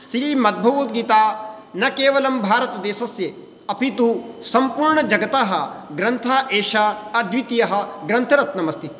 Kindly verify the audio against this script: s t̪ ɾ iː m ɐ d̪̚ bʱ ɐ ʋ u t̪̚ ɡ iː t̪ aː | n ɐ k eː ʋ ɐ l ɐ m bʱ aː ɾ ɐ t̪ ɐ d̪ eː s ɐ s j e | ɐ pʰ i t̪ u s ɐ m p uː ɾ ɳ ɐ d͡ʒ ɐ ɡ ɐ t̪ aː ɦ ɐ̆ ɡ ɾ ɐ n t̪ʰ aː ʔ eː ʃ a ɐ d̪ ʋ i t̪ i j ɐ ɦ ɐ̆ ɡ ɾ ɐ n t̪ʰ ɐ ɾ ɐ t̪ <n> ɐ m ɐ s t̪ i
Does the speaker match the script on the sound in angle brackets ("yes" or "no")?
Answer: yes